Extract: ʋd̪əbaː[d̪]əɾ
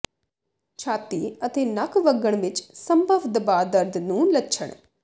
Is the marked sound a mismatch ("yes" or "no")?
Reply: no